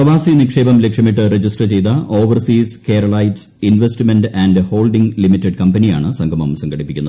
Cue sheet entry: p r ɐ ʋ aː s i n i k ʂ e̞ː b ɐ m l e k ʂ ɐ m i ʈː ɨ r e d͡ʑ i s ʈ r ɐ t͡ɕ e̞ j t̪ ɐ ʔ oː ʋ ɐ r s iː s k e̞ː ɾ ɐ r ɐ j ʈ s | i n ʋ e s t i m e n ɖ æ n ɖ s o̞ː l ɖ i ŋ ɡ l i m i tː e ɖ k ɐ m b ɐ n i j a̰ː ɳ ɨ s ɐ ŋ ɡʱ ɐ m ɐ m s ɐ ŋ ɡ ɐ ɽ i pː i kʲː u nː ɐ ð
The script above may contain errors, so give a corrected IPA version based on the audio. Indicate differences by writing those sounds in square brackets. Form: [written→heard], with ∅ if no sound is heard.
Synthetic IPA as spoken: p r ɐ ʋ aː s i n i k ʂ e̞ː b ɐ m l e k ʂ ɐ m i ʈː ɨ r e d͡ʑ i s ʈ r ɐ t͡ɕ e̞ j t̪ ɐ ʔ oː ʋ ɐ r s iː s k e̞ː ɾ ɐ [r→ɭ] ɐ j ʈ s | i n ʋ e s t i m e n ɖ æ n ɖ [s→h] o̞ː l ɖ i ŋ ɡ l i m i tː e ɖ k ɐ m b ɐ n i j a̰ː ɳ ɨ s ɐ ŋ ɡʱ ɐ m ɐ m s ɐ ŋ ɡ ɐ ɽ i pː i kʲː u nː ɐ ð